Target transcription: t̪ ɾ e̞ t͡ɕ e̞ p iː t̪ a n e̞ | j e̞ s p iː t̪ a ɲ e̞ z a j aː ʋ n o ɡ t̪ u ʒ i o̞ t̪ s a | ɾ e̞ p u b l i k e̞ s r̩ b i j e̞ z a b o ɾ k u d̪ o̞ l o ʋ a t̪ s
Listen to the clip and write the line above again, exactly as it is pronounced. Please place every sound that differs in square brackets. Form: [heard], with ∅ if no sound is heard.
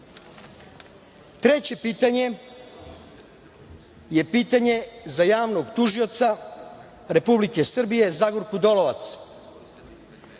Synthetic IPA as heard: t̪ ɾ e̞ t͡ɕ e̞ p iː t̪ a [ɲ] e̞ | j e̞ [∅] p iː t̪ a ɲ e̞ z a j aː ʋ n o ɡ t̪ u ʒ i o̞ t̪ s a | ɾ e̞ p u b l i k e̞ s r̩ b i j e̞ z a [ɡ] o ɾ k u d̪ o̞ l o ʋ a t̪ s